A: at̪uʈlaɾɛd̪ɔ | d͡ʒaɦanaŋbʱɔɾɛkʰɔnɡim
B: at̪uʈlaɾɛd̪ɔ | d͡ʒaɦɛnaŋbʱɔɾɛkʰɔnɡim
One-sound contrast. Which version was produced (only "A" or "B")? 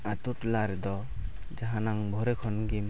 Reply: A